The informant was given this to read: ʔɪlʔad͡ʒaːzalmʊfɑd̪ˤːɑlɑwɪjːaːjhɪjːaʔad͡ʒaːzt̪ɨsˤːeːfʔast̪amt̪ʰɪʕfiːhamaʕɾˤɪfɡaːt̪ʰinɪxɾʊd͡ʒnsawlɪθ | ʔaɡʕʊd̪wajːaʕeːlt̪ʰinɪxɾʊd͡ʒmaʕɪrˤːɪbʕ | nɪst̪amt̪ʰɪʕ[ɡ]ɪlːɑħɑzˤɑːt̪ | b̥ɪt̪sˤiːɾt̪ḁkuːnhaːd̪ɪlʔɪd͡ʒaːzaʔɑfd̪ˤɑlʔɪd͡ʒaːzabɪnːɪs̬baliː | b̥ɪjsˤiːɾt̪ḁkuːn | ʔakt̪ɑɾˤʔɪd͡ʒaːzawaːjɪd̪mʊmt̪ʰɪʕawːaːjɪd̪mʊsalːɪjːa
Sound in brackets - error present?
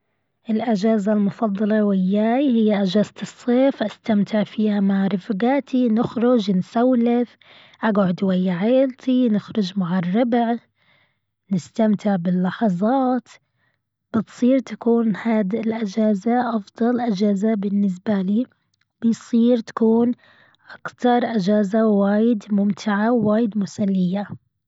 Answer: yes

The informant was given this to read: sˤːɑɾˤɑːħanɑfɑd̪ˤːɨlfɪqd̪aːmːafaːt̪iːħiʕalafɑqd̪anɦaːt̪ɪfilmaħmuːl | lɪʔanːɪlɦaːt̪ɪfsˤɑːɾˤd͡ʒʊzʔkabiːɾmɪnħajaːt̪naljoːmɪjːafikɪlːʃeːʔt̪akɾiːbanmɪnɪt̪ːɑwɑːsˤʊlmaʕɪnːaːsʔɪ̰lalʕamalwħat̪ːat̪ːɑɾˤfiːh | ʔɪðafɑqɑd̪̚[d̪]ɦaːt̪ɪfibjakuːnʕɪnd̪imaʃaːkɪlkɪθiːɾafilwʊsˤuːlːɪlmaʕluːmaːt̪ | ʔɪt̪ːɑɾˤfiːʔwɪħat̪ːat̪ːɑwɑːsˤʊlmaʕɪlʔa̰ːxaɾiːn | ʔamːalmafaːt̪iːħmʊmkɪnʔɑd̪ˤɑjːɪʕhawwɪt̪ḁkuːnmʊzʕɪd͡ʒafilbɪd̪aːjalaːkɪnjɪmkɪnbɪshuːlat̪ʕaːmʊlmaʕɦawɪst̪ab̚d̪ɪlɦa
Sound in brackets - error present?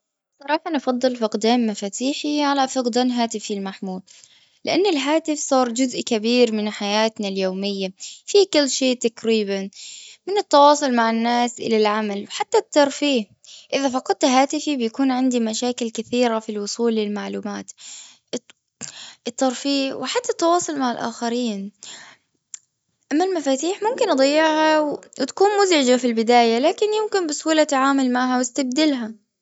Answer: yes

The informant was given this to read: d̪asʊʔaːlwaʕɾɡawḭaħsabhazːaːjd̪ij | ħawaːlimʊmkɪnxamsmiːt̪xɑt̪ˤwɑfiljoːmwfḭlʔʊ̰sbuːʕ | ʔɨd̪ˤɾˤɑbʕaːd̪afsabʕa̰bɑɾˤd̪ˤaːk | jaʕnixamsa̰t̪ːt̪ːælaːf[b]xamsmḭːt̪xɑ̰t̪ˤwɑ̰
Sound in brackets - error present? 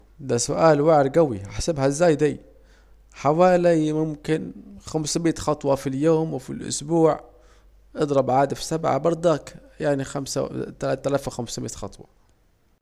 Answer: yes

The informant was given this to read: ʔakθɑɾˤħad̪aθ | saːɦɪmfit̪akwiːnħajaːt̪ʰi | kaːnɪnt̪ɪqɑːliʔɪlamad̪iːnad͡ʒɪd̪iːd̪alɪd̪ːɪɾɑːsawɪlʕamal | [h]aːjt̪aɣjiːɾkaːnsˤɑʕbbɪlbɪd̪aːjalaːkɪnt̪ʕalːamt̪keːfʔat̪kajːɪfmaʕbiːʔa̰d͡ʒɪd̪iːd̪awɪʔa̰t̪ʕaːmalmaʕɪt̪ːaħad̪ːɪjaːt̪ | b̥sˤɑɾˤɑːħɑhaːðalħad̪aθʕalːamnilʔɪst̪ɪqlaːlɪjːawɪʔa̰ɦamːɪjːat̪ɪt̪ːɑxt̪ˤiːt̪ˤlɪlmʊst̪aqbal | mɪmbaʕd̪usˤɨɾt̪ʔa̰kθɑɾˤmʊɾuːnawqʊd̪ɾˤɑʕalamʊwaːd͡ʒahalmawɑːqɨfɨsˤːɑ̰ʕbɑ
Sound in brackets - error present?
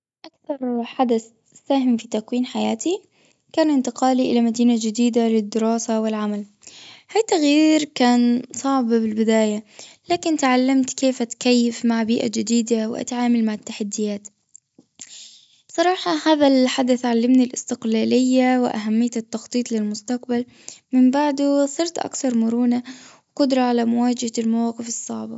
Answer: no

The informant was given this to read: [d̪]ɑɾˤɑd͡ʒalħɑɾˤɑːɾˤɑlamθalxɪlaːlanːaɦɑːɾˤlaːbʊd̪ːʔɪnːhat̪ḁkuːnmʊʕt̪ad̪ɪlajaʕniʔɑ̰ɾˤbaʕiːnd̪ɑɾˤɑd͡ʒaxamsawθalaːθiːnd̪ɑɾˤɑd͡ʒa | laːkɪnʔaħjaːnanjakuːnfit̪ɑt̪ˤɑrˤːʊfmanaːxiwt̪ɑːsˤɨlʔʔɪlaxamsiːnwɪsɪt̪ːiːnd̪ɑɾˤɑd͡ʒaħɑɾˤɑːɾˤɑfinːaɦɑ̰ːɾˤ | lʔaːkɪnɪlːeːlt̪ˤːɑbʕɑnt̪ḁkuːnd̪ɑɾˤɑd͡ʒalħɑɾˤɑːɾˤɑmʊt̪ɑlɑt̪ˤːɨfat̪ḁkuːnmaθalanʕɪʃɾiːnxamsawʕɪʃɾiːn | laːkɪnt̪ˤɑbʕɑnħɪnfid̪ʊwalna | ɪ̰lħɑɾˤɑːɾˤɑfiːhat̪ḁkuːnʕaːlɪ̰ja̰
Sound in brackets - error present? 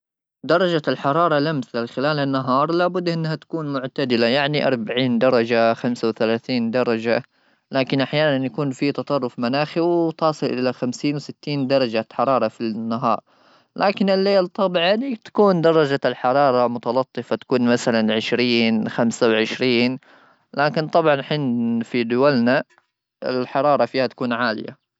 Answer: no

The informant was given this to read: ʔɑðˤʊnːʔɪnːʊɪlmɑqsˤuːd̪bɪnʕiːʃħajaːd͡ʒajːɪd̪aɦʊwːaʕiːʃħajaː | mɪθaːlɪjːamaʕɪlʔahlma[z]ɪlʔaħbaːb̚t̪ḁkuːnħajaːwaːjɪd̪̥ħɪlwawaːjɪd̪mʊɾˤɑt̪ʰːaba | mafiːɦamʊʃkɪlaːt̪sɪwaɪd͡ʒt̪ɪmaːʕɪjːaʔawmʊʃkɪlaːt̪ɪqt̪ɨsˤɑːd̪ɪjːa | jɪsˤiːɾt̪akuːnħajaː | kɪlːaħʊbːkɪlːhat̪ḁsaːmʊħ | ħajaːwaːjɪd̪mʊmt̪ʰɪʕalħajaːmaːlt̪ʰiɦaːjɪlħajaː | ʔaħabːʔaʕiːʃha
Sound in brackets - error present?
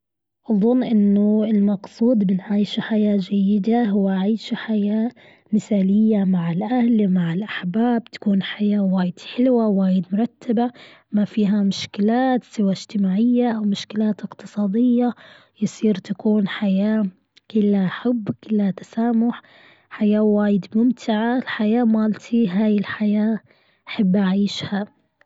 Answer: yes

